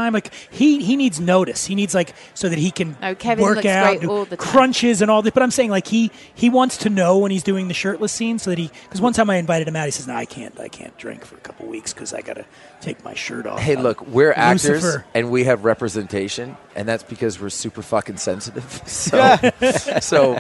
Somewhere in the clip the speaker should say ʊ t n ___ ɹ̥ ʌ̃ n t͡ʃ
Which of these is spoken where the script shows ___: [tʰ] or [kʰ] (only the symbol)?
kʰ